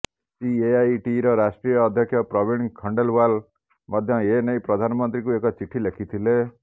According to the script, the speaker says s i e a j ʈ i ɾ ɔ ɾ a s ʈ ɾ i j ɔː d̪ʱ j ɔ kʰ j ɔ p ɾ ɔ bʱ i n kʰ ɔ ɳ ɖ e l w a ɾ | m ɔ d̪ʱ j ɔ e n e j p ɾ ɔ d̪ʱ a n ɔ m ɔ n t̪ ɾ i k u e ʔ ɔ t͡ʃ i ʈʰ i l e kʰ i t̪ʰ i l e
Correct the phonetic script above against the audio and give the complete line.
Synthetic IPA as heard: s i e a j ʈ i ɾ ɔ ɾ a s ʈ ɾ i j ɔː d̪ʱ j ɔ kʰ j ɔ p ɾ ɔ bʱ i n kʰ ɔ ɳ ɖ e l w a l | m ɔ d̪ʱ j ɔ e n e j p ɾ ɔ d̪ʱ a n ɔ m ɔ n t̪ ɾ i k u e k ɔ t͡ʃ i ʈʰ i l e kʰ i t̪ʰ i l e